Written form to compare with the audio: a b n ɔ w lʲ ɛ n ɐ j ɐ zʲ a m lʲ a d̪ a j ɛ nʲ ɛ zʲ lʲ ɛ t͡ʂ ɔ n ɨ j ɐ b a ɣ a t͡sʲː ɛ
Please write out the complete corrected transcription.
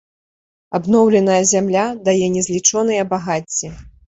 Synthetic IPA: a b n ɔ w lʲ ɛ n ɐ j ɐ zʲ a m lʲ a d̪ a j ɛ nʲ ɛ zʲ lʲ i t͡ʂ ɔ n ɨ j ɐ b a ɣ a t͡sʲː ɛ